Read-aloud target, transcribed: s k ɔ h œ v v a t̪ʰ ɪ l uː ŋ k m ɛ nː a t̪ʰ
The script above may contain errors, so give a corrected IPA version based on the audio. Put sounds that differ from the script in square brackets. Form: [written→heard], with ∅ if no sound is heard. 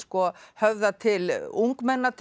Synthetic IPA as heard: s k ɔ h œ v [v→ð] a t̪ʰ ɪ l [uː→u] ŋ k m ɛ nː a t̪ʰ